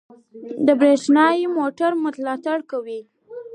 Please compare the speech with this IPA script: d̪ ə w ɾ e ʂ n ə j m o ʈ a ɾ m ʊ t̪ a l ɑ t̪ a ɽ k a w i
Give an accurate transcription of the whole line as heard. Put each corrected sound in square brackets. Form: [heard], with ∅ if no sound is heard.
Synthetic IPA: d̪ ə [b] ɾ e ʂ n [ɑ] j m o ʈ a ɾ m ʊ t̪ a l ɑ t̪ a ɽ k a w i